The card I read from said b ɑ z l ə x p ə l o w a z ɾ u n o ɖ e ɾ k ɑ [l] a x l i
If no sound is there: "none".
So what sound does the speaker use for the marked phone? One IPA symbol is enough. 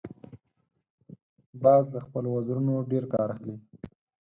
ɾ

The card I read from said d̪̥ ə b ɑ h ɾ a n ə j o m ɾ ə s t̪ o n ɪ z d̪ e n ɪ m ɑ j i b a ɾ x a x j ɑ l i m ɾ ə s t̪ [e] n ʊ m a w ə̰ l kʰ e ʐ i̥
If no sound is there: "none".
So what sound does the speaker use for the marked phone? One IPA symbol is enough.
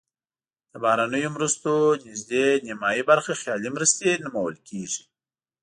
e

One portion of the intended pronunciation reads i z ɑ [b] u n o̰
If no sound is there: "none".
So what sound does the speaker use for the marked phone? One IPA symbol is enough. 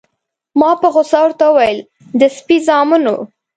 m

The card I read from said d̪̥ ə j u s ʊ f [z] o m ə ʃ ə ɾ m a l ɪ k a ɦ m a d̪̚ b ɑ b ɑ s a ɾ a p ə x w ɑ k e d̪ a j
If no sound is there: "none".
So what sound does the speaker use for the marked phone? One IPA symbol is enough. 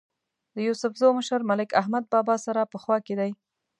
z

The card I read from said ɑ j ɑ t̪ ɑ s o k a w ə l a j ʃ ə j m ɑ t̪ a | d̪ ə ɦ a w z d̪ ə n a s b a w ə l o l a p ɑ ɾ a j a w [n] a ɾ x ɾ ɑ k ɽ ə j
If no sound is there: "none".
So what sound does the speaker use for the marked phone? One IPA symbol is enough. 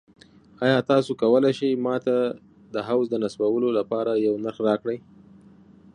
n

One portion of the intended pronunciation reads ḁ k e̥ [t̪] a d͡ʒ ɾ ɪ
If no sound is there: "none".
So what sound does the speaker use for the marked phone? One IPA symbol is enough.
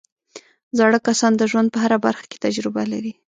t̪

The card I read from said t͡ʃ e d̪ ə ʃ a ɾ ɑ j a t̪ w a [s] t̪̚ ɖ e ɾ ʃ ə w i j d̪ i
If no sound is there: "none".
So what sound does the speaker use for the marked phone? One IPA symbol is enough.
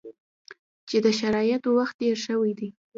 x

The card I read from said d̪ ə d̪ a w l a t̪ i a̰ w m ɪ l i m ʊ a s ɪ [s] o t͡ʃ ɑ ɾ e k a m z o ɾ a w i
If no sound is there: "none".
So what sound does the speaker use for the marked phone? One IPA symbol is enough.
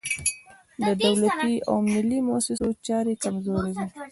s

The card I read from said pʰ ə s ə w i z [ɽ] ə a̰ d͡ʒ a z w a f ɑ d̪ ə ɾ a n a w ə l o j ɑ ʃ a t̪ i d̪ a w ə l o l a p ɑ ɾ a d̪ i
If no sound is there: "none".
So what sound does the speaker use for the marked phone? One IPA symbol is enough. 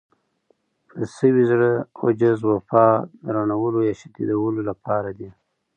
ɽ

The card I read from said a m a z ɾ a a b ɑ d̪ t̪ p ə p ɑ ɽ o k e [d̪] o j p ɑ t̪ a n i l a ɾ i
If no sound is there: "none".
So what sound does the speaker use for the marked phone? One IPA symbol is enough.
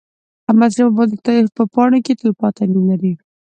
t̪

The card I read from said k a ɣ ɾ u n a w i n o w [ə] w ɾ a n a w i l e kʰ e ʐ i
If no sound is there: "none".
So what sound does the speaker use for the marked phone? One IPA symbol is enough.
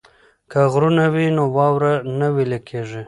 ɑ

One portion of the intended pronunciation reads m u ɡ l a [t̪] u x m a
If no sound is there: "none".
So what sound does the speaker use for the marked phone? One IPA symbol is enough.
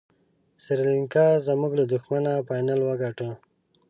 d̪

